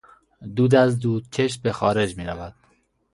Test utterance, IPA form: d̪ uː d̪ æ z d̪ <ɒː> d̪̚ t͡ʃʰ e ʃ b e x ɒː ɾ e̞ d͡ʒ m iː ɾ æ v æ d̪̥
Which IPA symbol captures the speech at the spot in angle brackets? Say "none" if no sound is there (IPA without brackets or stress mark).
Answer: uː